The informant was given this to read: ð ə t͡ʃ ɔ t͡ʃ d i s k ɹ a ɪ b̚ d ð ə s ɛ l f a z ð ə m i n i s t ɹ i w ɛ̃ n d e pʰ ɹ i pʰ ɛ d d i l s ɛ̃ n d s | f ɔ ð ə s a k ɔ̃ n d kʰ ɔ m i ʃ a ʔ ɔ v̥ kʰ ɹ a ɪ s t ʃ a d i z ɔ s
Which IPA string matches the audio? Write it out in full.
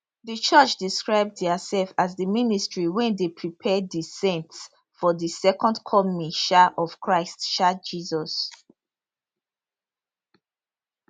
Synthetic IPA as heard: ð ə t͡ʃ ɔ t͡ʃ d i s k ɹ a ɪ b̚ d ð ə s ɛ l f a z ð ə m i n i s t ɹ i w ɛ̃ n d e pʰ ɹ i pʰ ɛ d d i s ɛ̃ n t s | f ɔ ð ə s ɛ k ɔ̃ n d kʰ ɔ m i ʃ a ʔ ɔ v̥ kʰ ɹ a ɪ s t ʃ a d͡ʒ i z ɔ s

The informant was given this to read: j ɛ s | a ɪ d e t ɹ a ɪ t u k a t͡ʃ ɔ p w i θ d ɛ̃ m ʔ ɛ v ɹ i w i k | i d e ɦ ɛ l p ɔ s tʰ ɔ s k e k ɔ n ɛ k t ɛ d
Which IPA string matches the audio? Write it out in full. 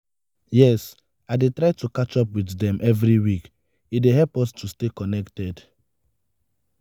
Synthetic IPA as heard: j ɛ s | a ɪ d e t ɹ a ɪ t u k a t͡ʃ ɔ p w i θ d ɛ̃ m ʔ ɛ v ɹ i w i k | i d e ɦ ɛ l p ɔ s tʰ u s t e k ɔ n ɛ k t ɛ d

